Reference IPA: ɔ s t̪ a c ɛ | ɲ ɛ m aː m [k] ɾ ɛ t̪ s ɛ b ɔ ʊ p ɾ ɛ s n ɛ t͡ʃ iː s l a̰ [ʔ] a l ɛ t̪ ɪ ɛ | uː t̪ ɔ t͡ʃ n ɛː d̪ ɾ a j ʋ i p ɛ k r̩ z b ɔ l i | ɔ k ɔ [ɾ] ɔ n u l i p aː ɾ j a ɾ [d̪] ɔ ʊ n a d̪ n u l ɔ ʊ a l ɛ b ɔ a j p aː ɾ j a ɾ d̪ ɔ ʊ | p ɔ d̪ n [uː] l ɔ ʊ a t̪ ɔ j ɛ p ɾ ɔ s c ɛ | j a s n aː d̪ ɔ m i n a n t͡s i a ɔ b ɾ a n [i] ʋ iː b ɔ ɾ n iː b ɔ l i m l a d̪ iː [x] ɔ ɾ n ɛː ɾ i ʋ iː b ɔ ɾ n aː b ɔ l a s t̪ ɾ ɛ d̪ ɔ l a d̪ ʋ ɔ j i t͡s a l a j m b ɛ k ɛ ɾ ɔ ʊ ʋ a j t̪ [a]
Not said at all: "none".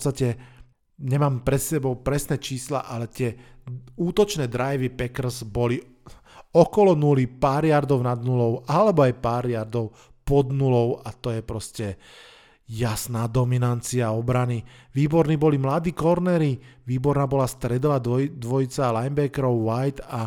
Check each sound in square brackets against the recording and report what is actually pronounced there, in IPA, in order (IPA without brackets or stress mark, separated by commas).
p, ʔ, l, d̪, u, i, k, a